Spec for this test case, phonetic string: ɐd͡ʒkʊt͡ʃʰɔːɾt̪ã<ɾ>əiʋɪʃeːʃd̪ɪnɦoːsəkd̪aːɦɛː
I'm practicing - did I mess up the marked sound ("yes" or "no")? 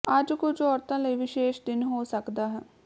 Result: yes